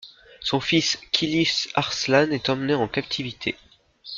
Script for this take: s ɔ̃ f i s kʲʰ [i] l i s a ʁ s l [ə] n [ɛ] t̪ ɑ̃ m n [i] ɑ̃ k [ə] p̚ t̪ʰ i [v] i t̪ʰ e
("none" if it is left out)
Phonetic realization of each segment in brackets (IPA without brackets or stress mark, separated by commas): i, a, ɛ, e, a, v